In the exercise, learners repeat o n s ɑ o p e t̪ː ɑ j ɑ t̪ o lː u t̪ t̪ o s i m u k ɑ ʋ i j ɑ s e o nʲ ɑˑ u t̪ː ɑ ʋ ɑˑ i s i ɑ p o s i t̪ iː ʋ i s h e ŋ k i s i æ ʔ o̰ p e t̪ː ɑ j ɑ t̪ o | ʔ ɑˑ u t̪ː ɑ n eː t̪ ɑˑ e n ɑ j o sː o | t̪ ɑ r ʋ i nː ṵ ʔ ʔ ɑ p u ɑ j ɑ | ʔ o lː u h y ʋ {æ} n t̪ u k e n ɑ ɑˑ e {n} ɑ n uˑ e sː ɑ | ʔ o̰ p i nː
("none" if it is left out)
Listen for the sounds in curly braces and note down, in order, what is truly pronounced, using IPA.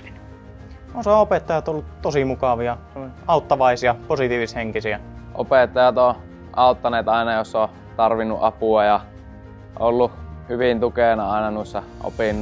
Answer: i, n

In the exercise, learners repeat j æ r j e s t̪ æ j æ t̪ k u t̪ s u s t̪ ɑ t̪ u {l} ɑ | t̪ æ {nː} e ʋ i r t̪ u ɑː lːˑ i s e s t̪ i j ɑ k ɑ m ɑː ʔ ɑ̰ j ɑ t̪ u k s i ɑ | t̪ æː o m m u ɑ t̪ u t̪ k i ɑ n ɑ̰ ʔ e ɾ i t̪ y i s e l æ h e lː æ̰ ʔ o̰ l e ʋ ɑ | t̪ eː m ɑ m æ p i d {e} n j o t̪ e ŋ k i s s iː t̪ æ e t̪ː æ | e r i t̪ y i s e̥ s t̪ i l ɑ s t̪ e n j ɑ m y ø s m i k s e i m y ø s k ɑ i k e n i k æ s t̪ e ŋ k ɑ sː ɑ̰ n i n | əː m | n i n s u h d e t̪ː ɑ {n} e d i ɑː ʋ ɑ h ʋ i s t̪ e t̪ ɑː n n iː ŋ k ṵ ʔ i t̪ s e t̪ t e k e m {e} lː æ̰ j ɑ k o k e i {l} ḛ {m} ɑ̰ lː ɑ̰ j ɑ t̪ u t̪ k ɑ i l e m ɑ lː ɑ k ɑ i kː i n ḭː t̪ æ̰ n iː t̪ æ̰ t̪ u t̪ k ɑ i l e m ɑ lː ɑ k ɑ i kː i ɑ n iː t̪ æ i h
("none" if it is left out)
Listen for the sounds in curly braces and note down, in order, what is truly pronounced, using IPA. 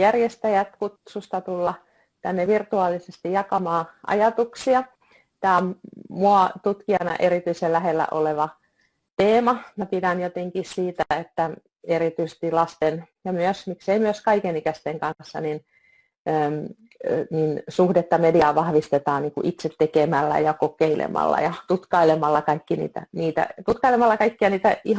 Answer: lː, nː, æ, m, æ, l, m

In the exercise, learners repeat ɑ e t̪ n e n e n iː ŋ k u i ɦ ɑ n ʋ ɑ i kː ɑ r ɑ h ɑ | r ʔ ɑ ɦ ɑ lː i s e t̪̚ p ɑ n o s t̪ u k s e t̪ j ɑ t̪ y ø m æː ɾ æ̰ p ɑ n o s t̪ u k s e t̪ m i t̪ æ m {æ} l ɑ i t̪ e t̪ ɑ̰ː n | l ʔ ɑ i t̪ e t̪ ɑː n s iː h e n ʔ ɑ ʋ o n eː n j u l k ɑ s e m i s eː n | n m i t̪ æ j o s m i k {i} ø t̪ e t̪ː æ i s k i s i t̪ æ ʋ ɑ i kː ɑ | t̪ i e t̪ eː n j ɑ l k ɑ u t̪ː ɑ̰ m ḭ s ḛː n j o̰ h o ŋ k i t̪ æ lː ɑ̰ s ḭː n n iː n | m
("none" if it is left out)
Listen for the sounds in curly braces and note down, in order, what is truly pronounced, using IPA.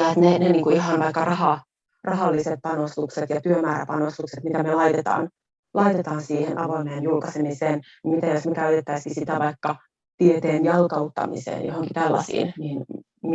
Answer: e, æ

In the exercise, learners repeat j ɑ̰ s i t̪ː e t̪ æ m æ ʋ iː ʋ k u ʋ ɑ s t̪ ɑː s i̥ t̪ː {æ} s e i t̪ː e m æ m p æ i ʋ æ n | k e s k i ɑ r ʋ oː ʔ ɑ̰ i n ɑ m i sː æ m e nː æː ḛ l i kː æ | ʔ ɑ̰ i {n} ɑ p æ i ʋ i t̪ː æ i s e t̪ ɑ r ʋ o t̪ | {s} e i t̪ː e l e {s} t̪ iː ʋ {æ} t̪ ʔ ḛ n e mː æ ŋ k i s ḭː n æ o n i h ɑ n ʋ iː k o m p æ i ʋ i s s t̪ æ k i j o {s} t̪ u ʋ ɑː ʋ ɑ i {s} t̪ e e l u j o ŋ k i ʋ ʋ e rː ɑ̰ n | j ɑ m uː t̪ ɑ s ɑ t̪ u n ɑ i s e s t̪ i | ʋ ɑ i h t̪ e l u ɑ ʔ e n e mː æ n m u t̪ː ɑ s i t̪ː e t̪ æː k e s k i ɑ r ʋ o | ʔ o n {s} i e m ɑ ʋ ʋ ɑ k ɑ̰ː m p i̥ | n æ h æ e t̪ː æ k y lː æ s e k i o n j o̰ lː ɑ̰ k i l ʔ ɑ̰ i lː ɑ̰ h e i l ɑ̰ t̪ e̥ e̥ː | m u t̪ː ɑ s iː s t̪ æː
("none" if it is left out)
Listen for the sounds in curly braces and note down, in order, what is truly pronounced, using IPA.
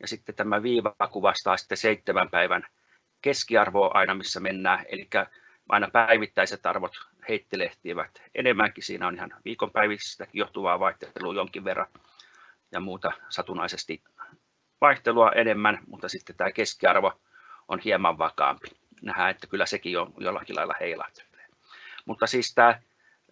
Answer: e, n, h, h, æ, h, h, h

